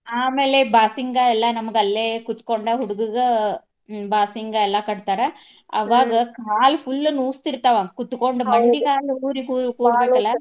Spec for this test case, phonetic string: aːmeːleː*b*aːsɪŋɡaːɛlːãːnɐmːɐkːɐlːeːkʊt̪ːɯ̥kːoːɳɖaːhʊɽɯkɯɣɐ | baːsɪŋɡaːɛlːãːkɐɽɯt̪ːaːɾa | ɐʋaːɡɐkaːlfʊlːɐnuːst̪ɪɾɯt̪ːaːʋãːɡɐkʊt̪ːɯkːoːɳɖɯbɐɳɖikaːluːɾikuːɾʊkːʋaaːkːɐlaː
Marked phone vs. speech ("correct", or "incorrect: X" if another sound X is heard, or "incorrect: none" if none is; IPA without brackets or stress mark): correct